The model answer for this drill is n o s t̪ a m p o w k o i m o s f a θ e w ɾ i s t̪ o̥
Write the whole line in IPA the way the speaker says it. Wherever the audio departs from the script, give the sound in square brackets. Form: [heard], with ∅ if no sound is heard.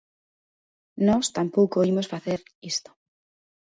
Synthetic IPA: n [ɔ] s t̪ a m p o w k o i m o s f a θ e [∅] ɾ i s t̪ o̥